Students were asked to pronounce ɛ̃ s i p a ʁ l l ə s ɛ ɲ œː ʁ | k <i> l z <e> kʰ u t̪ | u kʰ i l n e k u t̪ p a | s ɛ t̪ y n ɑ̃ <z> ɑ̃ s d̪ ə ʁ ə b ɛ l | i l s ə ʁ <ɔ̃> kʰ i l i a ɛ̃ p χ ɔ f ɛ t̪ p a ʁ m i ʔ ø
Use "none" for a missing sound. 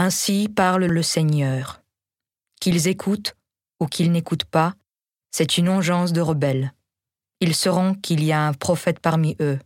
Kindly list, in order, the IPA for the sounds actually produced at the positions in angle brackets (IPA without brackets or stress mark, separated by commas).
i, e, ʒ, ɔ̃